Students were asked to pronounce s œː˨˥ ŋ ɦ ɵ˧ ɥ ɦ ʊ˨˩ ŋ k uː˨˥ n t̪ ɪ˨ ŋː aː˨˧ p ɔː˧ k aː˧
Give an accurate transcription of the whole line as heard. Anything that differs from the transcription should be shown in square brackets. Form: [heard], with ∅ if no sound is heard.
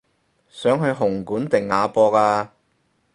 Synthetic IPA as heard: s œː˨˥ ŋ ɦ ɵ˧ ɥ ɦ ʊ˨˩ ŋ k uː˨˥ n t̪ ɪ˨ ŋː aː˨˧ p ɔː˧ k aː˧

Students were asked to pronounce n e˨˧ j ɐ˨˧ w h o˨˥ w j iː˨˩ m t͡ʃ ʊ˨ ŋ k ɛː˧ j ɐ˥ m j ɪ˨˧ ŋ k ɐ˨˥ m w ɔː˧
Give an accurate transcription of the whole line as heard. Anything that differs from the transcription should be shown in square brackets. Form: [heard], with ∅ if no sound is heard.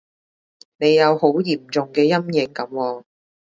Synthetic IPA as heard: n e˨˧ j ɐ˨˧ w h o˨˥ w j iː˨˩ m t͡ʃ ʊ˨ ŋ k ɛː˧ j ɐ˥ m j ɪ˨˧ ŋ k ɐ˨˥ m w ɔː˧

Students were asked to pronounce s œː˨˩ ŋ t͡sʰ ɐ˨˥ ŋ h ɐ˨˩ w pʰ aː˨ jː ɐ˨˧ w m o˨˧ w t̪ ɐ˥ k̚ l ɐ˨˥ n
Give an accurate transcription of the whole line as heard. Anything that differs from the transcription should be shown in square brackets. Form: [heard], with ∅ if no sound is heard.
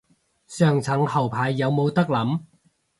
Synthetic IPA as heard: s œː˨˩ ŋ t͡sʰ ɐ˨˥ ŋ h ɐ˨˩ w pʰ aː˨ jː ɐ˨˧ w m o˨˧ w t̪ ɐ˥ k̚ l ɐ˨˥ [m]

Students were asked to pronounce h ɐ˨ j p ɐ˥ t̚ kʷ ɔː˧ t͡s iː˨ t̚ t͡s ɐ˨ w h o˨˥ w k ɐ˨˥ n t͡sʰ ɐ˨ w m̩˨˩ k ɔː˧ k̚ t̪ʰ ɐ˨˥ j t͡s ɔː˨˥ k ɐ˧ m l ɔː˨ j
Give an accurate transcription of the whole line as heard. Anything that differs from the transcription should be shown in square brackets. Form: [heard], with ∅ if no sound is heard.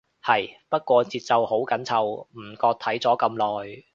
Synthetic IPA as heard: h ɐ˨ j p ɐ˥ t̚ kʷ ɔː˧ t͡s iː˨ t̚ t͡s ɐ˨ w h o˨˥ w k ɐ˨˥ n t͡sʰ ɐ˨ w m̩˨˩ k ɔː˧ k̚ t̪ʰ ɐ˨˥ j t͡s ɔː˨˥ k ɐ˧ m l ɔː˨ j

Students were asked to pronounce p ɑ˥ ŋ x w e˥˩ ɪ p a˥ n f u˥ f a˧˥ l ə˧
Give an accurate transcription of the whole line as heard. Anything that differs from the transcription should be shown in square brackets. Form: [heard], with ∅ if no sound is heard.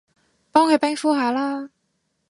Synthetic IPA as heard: p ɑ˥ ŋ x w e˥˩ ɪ p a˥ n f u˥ [x] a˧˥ l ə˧

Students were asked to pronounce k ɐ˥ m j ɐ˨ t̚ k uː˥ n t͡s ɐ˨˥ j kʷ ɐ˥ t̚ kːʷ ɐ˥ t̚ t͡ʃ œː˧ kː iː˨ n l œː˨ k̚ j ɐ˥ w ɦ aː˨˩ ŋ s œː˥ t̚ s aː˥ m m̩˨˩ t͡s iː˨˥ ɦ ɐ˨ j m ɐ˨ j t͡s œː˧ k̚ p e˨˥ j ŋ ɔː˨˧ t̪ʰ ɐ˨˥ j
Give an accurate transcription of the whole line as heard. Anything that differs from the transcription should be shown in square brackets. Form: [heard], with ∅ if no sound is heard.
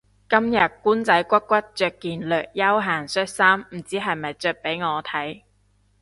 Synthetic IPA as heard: k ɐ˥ m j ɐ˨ t̚ k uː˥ n t͡s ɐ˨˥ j kʷ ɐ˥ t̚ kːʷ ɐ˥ t̚ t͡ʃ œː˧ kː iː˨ n l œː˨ k̚ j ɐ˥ w ɦ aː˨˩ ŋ s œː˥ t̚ s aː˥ m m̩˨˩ t͡s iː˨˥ ɦ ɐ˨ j m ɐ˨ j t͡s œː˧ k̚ p e˨˥ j ŋ ɔː˨˧ t̪ʰ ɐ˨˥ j

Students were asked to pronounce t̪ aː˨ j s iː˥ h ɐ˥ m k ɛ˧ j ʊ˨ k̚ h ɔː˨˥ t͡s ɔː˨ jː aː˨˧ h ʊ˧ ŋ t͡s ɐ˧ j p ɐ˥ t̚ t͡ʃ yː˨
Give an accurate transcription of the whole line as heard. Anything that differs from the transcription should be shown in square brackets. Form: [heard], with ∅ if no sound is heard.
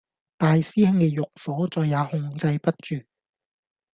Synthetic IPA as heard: t̪ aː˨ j s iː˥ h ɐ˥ [ŋ] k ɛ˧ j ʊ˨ k̚ [f] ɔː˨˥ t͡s ɔː˨ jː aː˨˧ h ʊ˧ ŋ t͡s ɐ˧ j p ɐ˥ t̚ t͡ʃ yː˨

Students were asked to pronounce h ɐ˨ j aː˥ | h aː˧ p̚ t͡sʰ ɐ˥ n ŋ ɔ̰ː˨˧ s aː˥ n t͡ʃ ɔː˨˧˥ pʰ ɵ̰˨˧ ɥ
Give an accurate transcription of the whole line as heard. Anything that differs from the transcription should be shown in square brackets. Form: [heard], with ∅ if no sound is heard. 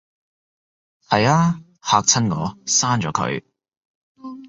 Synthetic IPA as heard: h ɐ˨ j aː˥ | h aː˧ [k̚] t͡sʰ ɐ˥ n ŋ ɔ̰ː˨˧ s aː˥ n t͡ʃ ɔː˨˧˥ [kʰ] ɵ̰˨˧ ɥ

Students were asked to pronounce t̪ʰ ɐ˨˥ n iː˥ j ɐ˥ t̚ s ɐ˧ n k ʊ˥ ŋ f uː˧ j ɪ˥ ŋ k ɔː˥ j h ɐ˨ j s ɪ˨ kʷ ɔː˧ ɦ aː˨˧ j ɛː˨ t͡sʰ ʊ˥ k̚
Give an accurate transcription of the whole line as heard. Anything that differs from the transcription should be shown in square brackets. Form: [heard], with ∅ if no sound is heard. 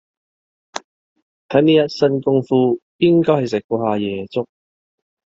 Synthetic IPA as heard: t̪ʰ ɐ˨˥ n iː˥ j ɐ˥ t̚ s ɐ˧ n k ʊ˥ ŋ f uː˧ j ɪ˥ ŋ k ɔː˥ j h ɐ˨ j s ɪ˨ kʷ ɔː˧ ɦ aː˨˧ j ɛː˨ [t͡s] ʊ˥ k̚

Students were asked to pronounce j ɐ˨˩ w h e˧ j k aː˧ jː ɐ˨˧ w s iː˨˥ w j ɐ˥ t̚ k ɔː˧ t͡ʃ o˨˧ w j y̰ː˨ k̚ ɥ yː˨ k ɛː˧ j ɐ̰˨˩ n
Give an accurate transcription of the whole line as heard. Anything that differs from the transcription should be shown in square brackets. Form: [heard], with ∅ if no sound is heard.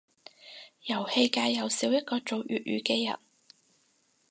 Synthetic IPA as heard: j ɐ˨˩ w h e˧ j k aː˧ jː ɐ˨˧ w s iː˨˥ w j ɐ˥ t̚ k ɔː˧ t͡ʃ o˨˧ w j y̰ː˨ [t̚] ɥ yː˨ k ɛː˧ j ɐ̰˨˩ n

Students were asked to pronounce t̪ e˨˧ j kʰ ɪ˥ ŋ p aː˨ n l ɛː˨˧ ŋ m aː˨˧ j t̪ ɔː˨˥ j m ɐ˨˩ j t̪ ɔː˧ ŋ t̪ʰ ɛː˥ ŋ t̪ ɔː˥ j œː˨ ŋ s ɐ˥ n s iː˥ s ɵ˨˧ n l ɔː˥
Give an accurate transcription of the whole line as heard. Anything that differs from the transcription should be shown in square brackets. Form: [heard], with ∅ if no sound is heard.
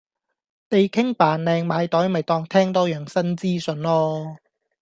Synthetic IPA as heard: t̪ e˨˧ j kʰ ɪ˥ ŋ p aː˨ n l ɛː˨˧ ŋ m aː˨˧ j t̪ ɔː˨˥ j m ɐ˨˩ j t̪ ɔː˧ ŋ t̪ʰ ɛː˥ ŋ t̪ ɔː˥ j œː˨ ŋ s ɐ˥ n [t͡s] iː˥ s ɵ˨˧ n l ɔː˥

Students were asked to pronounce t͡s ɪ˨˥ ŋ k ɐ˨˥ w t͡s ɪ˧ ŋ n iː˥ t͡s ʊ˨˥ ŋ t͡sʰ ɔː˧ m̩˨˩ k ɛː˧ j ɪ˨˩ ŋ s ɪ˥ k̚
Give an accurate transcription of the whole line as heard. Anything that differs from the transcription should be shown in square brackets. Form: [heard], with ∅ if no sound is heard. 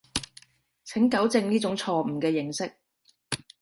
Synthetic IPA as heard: [t͡sʰ] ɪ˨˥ ŋ k ɐ˨˥ w t͡s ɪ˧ ŋ n iː˥ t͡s ʊ˨˥ ŋ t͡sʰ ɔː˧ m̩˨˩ k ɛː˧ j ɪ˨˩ ŋ s ɪ˥ k̚

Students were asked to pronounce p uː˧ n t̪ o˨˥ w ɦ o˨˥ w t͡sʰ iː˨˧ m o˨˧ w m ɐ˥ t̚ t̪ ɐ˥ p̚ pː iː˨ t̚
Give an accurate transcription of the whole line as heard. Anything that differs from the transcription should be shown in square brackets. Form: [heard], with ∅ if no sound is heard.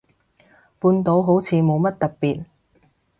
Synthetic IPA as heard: p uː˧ n t̪ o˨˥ w ɦ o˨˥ w t͡sʰ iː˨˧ m o˨˧ w m ɐ˥ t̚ t̪ [ɐ˨] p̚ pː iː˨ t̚

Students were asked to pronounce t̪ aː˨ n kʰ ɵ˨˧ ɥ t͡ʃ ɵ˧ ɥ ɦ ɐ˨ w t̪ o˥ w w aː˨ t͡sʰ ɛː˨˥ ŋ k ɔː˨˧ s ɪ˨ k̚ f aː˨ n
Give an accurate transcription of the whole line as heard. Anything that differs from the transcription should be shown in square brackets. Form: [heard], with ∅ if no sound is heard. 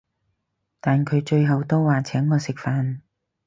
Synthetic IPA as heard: t̪ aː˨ n kʰ ɵ˨˧ ɥ t͡ʃ ɵ˧ ɥ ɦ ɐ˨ w t̪ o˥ w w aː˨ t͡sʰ ɛː˨˥ ŋ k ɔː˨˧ s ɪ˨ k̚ f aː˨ n

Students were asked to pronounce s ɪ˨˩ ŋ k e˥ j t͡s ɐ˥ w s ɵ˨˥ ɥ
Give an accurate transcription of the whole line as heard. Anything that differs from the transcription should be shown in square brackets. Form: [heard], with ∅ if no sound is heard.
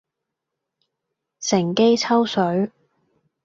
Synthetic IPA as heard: s ɪ˨˩ ŋ k e˥ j [t͡sʰ] ɐ˥ w s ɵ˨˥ ɥ

